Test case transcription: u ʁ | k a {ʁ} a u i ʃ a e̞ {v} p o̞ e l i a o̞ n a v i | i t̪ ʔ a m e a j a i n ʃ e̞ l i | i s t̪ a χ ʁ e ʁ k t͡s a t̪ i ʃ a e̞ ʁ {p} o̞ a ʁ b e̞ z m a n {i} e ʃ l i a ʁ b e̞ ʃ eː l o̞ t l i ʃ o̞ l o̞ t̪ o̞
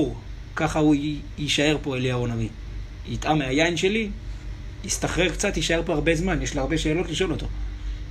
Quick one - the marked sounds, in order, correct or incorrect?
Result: incorrect: χ, incorrect: ʁ, correct, incorrect: j

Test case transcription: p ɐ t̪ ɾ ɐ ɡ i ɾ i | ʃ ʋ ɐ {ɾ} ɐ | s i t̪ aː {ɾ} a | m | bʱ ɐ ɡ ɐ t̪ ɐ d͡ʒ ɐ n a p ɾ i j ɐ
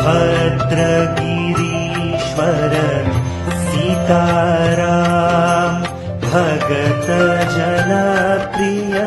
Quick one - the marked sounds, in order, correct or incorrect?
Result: correct, correct

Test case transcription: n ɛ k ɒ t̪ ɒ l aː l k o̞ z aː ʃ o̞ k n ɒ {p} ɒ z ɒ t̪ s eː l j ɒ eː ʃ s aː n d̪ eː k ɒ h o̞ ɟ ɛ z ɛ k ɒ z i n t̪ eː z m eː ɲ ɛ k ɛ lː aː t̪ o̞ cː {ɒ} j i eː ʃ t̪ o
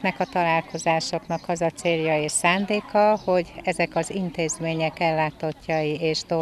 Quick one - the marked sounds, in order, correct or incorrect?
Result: incorrect: k, correct

